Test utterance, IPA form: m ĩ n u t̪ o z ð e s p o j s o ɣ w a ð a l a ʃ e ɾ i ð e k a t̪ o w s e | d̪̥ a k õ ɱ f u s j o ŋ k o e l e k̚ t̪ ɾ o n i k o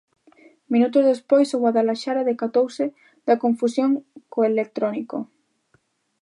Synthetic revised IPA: m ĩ n u t̪ o z ð e s p o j s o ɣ w a ð a l a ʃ a ɾ a ð e k a t̪ o w s e | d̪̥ a k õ ɱ f u s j o ŋ k o e l e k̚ t̪ ɾ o n i k o

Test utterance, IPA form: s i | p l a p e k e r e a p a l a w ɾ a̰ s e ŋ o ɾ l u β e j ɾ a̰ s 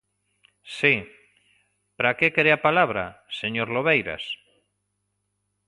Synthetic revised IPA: s i | p ɾ a k e k e ɾ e a p a l a β ɾ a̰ s e ɲ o ɾ l o β e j ɾ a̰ s

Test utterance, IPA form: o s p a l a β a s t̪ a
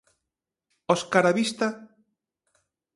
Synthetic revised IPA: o s k a ɾ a β i s t̪ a

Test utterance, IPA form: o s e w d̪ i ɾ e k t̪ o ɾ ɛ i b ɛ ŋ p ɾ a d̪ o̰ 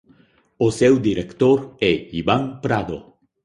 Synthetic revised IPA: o s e w d̪ i ɾ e k t̪ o ɾ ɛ i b a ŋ p ɾ a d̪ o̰

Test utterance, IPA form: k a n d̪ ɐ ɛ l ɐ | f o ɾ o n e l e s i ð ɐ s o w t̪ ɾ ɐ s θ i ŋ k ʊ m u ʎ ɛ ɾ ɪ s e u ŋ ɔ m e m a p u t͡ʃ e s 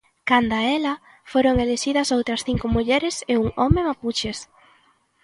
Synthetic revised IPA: k a n d̪ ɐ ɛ l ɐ | f o ɾ o ŋ e l e ʃ i ð ɐ s o w t̪ ɾ ɐ s θ i ŋ k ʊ m u ʎ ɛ ɾ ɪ s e u ŋ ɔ m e m a p u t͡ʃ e s

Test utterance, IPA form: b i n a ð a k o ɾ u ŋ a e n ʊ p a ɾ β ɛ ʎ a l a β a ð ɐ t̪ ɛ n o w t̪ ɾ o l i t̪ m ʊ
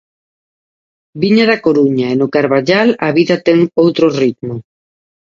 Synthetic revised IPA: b i ɲ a ð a k o ɾ u ɲ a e n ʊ k a ɾ β a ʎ a l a β i ð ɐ t̪ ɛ ŋ o w t̪ ɾ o r i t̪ m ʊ

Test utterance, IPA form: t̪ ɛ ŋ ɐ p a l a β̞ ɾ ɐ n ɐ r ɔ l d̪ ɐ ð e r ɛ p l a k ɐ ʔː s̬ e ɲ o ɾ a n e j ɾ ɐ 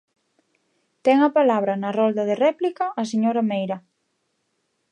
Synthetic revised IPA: t̪ ɛ ŋ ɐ p a l a β̞ ɾ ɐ n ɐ r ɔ l d̪ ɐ ð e r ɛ p l i k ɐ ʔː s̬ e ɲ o ɾ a m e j ɾ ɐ

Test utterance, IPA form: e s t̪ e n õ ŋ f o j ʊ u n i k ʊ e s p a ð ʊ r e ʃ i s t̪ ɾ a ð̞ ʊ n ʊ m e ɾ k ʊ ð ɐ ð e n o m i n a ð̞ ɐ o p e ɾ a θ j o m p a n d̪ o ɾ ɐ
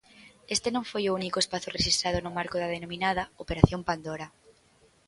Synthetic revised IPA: e s t̪ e n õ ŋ f o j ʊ u n i k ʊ e s p a θ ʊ r e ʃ i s t̪ ɾ a ð̞ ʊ n ʊ m a ɾ k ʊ ð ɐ ð e n o m i n a ð̞ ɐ o p e ɾ a θ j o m p a n d̪ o ɾ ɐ

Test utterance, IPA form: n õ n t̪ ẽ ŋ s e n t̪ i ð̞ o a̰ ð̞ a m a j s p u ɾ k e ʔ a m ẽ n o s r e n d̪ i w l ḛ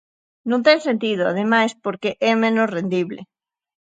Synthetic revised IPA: n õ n t̪ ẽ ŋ s e n t̪ i ð̞ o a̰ ð̞ e m a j s p o ɾ k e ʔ ɛ m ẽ n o s r e n d̪ i β l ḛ

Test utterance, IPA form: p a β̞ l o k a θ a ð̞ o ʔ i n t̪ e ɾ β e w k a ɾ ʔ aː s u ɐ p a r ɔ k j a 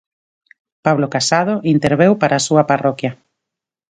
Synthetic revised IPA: p a β̞ l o k a s a ð̞ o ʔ i n t̪ e ɾ β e w p a ɾ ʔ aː s u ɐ p a r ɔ k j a

